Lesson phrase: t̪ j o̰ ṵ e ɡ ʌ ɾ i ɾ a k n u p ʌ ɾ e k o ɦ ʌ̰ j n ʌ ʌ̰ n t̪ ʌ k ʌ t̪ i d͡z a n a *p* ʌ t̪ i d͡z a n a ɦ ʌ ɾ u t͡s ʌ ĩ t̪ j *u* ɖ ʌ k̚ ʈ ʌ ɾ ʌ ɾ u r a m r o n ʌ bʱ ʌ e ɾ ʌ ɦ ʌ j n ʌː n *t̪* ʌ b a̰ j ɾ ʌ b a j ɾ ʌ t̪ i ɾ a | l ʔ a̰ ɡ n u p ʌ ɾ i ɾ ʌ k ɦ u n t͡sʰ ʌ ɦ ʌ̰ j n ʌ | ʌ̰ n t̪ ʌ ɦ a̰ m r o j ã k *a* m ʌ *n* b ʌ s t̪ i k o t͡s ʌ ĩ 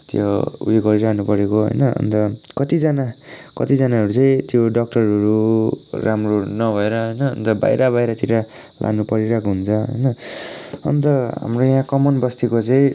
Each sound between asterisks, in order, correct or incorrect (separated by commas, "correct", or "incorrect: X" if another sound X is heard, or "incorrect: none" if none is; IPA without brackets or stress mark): incorrect: k, incorrect: o, correct, incorrect: ʌ, correct